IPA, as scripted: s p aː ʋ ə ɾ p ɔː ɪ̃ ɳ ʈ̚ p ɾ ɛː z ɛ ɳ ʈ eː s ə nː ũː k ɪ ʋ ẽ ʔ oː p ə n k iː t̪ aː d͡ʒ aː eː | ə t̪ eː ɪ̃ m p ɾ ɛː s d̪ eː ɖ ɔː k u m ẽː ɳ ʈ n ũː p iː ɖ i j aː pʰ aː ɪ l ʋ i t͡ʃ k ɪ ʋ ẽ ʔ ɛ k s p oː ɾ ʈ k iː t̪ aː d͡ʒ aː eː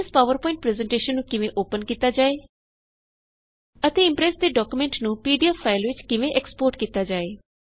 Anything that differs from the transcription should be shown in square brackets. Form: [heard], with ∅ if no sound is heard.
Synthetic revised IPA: s p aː ʋ ə ɾ p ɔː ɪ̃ ɳ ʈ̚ p ɾ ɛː z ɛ ɳ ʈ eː [ʃ] ə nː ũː k ɪ ʋ ẽ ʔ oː p ə n k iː t̪ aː d͡ʒ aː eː | ə t̪ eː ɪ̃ m p ɾ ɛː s d̪ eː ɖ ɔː k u m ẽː ɳ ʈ n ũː p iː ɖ i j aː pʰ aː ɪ l ʋ [ɪ] t͡ʃ k ɪ ʋ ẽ ʔ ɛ k s p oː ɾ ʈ k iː t̪ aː d͡ʒ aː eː